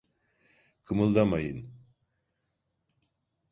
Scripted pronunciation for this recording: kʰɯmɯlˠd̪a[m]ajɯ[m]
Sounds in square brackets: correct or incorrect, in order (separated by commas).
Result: correct, incorrect